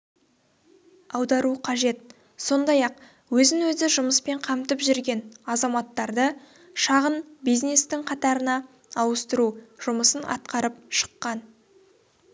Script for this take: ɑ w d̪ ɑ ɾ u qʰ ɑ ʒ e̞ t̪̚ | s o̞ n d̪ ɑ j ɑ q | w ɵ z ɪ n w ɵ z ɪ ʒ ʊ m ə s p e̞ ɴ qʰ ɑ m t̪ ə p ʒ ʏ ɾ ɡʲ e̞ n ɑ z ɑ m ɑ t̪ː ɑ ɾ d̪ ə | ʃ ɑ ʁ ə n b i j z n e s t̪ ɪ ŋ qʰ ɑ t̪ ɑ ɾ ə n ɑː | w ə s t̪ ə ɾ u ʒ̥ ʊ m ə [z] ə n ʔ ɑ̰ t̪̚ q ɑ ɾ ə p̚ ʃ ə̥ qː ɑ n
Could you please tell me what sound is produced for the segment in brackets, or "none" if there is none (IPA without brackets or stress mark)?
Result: s